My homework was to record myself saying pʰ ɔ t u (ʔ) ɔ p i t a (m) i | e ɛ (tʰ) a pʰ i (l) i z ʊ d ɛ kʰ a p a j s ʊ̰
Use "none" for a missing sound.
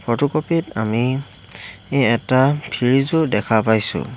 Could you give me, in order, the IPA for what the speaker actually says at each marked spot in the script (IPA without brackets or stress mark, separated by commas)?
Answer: k, m, t, ɹ